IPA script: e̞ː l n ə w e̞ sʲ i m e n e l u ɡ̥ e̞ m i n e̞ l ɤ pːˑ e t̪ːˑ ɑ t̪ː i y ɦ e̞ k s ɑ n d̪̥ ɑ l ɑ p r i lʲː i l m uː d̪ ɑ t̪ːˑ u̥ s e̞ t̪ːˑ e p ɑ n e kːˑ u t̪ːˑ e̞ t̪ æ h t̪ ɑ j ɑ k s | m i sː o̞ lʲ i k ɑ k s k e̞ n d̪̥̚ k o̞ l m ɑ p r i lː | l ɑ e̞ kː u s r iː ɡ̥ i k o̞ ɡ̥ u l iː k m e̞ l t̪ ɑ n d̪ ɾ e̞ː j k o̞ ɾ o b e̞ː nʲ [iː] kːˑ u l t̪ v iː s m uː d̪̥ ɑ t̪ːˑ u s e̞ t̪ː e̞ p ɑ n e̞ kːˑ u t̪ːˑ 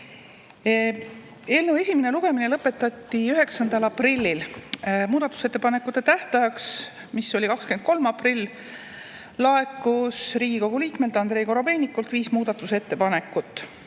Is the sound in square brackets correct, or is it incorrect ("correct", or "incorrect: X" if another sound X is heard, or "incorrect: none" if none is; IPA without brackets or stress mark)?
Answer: incorrect: i